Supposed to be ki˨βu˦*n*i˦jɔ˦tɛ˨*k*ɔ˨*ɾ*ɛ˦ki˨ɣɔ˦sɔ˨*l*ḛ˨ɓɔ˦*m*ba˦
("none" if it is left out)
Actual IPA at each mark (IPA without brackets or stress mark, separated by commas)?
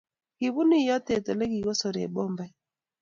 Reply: n, t, l, ɾ, m